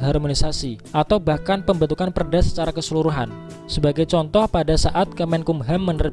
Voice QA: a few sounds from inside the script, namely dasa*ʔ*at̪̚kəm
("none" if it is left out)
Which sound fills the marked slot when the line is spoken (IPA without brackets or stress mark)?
ʔ